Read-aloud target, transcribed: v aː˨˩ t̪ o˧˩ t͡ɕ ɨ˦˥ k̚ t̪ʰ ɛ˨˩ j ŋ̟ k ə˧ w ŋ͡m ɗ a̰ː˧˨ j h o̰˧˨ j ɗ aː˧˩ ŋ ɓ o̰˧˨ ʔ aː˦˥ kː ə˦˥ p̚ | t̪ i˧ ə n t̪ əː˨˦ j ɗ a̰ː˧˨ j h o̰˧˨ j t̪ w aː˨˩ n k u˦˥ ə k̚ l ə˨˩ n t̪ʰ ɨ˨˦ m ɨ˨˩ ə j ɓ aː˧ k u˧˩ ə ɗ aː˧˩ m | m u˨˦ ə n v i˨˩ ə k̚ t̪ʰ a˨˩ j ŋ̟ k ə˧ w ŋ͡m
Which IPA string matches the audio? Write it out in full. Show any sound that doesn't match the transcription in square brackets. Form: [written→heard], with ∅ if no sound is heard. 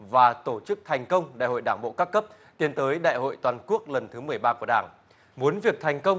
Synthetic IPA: v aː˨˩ t̪ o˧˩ t͡ɕ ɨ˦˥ k̚ t̪ʰ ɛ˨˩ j ŋ̟ k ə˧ w ŋ͡m ɗ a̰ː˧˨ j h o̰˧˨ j ɗ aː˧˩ ŋ ɓ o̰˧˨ [ʔ→k] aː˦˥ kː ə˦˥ p̚ | t̪ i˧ ə n t̪ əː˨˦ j ɗ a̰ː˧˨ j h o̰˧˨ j t̪ w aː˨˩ n k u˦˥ ə k̚ l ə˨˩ n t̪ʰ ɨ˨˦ m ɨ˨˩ ə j ɓ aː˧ k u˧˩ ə ɗ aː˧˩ [m→ŋ] | m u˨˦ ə n v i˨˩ ə k̚ t̪ʰ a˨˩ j ŋ̟ k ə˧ w ŋ͡m